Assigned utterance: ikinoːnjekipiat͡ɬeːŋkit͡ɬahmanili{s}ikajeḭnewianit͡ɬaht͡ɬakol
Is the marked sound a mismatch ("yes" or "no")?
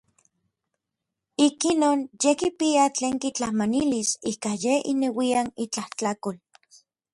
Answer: no